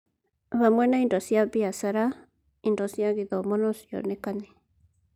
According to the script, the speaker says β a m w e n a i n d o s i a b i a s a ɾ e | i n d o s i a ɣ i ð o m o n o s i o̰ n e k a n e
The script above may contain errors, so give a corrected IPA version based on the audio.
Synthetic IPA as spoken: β a m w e n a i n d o s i a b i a s a ɾ a | i n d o s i a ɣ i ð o m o n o s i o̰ n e k a n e